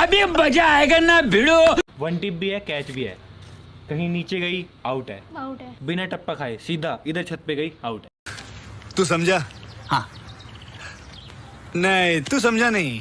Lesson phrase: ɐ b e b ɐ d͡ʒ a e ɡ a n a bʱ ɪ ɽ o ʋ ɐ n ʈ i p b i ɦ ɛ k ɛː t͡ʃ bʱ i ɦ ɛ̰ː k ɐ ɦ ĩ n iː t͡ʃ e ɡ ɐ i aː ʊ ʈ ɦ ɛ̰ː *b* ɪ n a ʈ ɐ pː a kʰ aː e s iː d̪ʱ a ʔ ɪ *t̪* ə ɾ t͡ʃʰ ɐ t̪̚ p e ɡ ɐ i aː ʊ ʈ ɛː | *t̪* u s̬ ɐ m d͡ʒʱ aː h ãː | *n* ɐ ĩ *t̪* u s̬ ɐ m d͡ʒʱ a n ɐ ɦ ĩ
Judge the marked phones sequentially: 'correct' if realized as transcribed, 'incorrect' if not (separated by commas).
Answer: correct, incorrect, correct, correct, correct